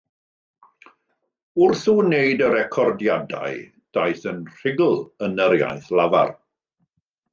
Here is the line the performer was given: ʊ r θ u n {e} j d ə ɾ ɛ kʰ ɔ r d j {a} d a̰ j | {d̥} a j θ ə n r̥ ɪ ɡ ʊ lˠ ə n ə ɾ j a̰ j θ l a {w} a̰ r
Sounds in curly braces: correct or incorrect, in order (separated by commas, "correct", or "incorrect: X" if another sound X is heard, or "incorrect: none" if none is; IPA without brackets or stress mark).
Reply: correct, correct, correct, incorrect: v